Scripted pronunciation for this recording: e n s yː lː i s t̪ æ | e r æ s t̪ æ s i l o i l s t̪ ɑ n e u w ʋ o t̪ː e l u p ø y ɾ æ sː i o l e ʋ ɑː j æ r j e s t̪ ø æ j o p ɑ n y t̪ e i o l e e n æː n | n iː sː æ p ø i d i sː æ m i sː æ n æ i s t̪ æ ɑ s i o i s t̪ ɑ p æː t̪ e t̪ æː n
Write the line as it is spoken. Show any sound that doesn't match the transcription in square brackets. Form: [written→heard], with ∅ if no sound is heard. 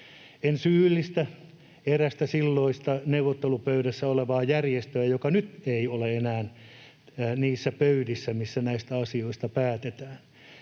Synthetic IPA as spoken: e n s yː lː i s t̪ æ | e r æ s t̪ æ s i [l→lː] o i [l→∅] s t̪ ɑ n e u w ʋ o t̪ː e l u p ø y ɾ æ sː [i→æ] o l e ʋ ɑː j æ r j e s t̪ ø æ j o [p→k] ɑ n y t̪ e i o l e e n æː n | n iː sː æ p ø [i→y] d i sː æ m i sː æ n æ i s t̪ æ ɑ s i o i s t̪ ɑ p æː t̪ e t̪ æː n